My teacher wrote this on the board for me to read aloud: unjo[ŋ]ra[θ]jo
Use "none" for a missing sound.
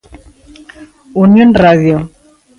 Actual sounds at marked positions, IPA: n, ð

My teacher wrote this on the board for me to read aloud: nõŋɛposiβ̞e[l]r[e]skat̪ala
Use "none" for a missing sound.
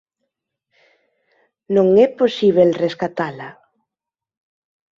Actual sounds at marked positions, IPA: l, e

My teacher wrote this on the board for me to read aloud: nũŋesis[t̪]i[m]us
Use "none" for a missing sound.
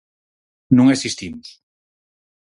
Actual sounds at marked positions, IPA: t̪, m

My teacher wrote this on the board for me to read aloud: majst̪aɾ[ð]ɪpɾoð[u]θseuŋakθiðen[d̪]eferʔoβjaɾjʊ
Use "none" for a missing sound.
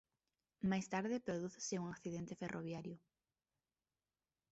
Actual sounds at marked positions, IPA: ð, u, t̪

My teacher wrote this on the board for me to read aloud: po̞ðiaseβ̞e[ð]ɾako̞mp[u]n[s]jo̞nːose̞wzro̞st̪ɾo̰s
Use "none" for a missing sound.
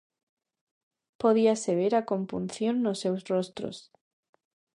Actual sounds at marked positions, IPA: none, u, θ

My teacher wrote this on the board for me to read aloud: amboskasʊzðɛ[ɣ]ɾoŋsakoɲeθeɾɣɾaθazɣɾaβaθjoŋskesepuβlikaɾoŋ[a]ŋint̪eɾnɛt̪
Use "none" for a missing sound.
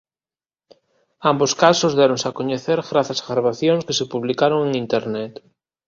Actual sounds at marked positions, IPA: none, e

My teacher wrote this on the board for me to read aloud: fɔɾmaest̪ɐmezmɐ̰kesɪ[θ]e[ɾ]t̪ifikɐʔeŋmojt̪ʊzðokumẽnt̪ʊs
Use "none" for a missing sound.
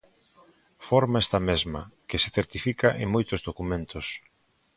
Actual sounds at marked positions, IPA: θ, ɾ

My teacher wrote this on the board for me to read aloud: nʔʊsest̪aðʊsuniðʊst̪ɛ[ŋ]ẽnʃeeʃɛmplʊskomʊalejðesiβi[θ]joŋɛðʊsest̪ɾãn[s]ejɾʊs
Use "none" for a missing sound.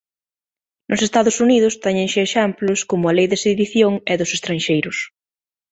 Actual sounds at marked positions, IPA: ɲ, θ, ʃ

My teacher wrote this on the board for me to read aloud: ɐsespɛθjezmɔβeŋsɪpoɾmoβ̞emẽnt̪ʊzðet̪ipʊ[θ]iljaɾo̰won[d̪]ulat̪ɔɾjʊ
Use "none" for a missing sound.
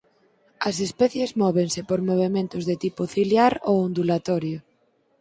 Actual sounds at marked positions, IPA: θ, d̪

